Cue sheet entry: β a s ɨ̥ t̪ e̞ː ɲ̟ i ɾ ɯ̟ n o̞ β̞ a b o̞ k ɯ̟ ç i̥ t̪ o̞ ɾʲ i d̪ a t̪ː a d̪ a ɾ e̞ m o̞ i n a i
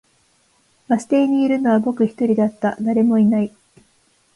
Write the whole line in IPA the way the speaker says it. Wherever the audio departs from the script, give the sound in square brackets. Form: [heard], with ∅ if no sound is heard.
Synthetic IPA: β a s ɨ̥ t̪ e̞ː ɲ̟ [iː] ɾ ɯ̟ n o̞ β̞ a b o̞ k ɯ̟ ç i̥ t̪ o̞ ɾʲ i d̪ a t̪ː a d̪ a ɾ e̞ m o̞ i n a i